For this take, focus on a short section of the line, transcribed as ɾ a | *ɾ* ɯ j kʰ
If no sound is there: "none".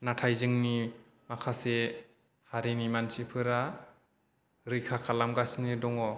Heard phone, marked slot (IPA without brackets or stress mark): ɾ